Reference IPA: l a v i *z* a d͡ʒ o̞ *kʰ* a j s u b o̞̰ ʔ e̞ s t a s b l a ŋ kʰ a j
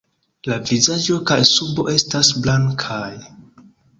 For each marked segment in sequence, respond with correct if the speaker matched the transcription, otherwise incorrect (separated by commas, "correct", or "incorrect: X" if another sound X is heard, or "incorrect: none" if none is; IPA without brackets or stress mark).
correct, incorrect: k